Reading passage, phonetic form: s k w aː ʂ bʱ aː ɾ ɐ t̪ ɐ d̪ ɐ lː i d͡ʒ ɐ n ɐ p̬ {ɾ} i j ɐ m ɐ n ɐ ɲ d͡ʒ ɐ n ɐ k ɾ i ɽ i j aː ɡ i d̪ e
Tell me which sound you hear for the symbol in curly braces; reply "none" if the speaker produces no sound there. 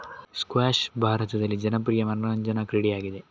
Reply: ɾ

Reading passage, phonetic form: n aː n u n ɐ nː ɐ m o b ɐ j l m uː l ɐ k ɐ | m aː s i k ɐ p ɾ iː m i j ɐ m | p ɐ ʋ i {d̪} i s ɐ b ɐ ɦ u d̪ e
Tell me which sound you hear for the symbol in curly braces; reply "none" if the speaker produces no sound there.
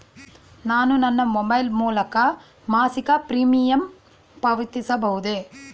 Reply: t̪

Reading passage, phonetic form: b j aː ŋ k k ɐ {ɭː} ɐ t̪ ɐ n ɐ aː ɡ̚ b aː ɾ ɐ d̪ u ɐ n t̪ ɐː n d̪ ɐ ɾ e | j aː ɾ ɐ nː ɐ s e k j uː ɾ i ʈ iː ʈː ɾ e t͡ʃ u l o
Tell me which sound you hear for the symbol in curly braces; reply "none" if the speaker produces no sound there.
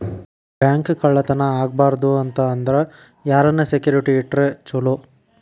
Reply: ɭː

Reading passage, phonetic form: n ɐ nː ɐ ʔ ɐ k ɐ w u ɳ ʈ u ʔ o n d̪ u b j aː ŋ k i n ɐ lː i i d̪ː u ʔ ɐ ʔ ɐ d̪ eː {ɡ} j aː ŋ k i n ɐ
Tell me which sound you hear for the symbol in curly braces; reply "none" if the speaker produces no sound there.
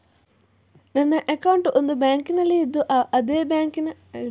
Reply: b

